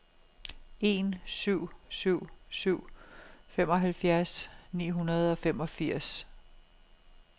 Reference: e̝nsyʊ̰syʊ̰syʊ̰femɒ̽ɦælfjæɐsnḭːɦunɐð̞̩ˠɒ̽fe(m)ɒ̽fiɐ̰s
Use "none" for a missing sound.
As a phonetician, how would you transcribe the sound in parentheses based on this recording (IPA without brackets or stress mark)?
m